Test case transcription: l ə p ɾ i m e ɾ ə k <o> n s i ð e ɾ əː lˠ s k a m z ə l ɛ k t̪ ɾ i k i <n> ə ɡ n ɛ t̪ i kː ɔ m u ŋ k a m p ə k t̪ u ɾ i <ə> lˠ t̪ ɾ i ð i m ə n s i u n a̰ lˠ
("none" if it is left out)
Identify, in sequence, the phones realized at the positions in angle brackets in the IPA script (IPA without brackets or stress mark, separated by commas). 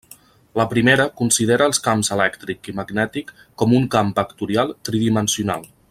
u, m, a